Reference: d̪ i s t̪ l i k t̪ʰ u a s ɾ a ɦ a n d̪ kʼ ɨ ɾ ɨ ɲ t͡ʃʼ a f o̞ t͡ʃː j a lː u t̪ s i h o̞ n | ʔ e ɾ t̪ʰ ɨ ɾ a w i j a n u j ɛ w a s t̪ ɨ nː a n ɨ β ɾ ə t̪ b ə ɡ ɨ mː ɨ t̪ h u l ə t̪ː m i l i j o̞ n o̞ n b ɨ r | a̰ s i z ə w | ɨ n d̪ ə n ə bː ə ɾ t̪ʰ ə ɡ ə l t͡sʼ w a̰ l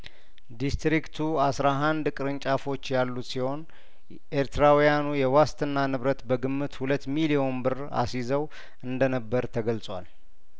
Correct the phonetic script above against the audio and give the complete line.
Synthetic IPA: d̪ i s t̪ ɾ i k t̪ʰ u a s ɾ a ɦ a n d̪ kʼ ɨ ɾ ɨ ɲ t͡ʃʼ a f o̞ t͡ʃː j a lː u t̪ s i h o̞ n | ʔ e ɾ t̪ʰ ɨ ɾ a w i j a n u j ɛ w a s t̪ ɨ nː a n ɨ β ɾ ə t̪ b ə ɡ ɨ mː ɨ t̪ h u l ə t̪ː m i l i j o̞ o̞ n b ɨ r | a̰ s i z ə w | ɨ n d̪ ə n ə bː ə ɾ t̪ʰ ə ɡ ə l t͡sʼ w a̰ l